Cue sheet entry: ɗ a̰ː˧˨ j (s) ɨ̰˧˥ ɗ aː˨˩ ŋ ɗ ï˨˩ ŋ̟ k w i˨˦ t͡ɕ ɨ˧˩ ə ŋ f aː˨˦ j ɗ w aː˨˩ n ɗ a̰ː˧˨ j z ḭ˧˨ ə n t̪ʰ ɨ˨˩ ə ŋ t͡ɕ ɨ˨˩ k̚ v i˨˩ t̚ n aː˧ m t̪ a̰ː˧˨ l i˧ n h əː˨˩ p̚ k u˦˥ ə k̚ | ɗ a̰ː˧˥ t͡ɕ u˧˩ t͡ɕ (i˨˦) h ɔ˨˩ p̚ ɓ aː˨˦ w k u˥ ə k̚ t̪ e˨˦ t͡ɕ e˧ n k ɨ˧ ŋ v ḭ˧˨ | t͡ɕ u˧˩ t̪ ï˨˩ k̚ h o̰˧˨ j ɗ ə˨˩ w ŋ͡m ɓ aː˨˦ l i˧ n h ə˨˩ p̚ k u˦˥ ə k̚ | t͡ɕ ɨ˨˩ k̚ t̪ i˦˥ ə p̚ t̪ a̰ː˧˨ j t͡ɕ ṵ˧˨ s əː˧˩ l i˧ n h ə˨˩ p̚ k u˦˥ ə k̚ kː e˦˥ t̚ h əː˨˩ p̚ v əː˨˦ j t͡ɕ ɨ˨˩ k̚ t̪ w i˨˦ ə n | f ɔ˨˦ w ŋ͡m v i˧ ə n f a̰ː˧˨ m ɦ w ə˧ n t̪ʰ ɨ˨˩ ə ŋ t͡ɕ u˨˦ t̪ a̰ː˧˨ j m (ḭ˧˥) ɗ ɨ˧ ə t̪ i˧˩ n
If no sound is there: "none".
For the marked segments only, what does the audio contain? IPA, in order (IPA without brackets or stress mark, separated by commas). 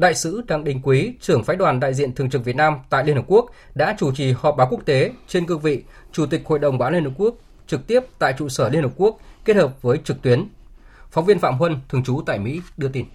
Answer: s, i˨˩, ḭ˧˥